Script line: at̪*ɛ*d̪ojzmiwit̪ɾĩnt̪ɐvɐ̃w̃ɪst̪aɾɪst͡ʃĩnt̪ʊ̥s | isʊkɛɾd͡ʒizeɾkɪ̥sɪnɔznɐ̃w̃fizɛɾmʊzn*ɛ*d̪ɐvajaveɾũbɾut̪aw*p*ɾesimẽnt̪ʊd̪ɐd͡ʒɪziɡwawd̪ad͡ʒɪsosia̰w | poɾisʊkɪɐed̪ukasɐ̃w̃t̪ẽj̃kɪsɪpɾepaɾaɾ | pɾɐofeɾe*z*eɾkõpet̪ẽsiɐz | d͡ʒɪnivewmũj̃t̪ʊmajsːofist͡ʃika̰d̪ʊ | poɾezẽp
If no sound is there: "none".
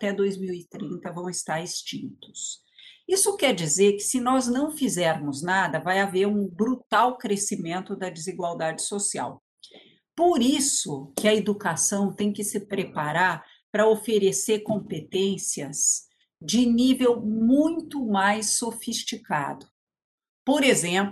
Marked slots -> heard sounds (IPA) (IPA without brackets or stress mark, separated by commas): ɛ, a, k, s